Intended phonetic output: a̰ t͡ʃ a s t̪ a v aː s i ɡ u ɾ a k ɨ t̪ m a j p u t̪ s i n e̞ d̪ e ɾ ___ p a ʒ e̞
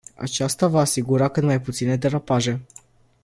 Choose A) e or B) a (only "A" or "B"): B